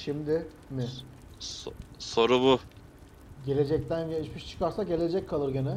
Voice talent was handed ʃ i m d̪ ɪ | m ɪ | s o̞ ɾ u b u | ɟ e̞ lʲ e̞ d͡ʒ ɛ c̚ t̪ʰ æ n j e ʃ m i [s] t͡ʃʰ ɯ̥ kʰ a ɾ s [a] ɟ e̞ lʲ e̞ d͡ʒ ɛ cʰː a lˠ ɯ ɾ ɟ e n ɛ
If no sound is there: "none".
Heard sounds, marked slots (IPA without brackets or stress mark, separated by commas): ʃ, a